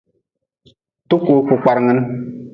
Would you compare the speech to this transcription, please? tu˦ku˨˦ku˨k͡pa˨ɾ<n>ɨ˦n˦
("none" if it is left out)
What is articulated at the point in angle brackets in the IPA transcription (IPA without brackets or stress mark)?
ŋ